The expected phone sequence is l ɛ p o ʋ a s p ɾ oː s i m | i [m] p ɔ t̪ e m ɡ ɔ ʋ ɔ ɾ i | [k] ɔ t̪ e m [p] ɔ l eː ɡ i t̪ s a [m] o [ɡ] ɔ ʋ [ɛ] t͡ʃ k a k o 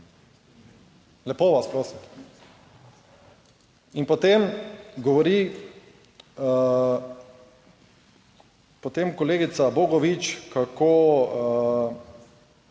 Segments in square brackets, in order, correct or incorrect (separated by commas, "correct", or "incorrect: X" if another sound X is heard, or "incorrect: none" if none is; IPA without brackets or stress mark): incorrect: n, incorrect: p, incorrect: k, incorrect: b, correct, incorrect: i